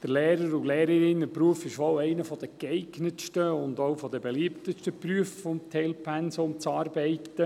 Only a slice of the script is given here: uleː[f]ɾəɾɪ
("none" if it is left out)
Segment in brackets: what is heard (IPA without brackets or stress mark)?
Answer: none